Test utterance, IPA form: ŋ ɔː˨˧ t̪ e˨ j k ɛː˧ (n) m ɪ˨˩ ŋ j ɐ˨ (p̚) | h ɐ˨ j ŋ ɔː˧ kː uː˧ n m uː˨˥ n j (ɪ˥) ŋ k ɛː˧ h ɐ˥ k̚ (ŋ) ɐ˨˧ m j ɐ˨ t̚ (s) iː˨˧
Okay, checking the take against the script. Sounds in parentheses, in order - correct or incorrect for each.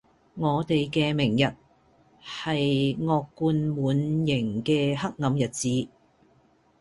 incorrect: none, incorrect: t̚, incorrect: ɪ˨˩, correct, incorrect: t͡s

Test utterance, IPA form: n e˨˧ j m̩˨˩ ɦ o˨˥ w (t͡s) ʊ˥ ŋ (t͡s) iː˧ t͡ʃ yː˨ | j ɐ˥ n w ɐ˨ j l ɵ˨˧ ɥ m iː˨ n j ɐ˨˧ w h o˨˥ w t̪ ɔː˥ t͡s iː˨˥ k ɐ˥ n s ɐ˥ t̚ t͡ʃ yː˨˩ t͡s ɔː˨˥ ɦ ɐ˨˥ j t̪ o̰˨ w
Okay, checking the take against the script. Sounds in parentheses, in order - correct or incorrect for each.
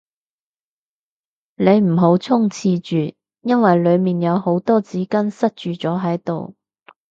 incorrect: t͡sʰ, incorrect: t͡sʰ

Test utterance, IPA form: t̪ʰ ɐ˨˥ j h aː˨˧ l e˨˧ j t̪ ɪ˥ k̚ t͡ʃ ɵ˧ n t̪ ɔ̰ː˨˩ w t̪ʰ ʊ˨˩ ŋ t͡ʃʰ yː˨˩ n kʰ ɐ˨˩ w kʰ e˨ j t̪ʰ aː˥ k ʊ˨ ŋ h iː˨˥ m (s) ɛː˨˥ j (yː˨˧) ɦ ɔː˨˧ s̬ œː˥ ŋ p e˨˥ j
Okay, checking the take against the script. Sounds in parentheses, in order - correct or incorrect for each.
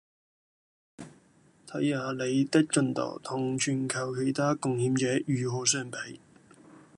incorrect: t͡s, correct

